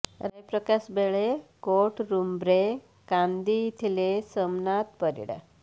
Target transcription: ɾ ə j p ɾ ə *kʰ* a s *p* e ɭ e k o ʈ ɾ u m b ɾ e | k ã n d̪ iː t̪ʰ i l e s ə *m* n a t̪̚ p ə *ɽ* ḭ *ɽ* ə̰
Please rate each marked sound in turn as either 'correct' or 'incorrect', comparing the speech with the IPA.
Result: incorrect: k, incorrect: b, correct, incorrect: ɾ, correct

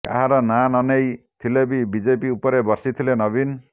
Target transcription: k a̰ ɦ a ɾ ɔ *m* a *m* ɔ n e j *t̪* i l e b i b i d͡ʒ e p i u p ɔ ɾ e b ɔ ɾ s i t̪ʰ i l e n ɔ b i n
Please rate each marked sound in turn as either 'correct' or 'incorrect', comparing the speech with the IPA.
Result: incorrect: n, incorrect: n, incorrect: t̪ʰ

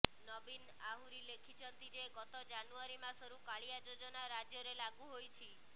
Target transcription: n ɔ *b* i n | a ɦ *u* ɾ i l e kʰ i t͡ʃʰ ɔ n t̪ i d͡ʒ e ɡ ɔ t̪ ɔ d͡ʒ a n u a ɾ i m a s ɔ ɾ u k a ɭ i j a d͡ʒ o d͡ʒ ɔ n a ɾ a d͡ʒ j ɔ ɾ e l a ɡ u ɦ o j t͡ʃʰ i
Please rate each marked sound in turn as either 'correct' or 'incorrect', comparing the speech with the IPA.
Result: correct, correct

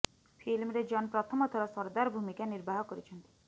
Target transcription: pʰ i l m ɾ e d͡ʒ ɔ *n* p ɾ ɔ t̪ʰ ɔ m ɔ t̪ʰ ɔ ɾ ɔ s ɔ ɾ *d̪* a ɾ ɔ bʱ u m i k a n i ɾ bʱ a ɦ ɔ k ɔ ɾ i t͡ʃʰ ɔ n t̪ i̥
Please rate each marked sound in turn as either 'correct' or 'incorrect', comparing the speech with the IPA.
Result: correct, correct

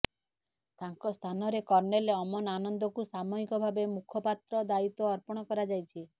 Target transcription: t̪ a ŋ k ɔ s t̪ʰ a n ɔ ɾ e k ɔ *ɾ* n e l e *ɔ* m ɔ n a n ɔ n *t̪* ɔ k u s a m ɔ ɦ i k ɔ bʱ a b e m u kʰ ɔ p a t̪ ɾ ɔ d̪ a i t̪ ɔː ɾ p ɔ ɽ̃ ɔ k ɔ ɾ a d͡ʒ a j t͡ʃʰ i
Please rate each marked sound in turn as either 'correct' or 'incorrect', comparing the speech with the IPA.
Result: correct, correct, incorrect: d̪

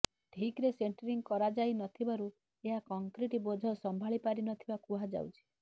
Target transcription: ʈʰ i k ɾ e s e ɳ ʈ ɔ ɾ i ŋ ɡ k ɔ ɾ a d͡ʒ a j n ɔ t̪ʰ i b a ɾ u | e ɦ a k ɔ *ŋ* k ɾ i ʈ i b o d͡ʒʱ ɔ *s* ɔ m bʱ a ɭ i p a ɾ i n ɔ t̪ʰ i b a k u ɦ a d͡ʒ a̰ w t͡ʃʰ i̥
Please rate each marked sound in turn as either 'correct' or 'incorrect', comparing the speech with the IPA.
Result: correct, correct

